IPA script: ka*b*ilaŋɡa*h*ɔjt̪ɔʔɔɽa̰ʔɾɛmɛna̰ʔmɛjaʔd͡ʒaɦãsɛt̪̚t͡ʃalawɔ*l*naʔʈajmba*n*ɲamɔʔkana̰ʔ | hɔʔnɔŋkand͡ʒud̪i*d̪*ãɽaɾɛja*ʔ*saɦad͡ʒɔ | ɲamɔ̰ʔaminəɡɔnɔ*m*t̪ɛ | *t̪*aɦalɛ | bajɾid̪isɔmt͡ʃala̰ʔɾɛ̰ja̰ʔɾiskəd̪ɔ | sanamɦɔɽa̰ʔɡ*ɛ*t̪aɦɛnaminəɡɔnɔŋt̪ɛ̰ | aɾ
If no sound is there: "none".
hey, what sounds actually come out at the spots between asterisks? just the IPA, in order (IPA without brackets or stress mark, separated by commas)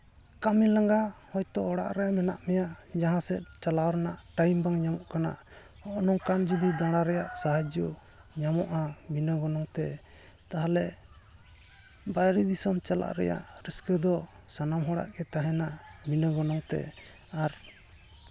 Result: m, h, ɾ, ŋ, d̪, ʔ, ŋ, t̪, ɛ